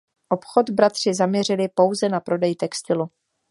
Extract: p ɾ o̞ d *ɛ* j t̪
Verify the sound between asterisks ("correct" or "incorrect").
correct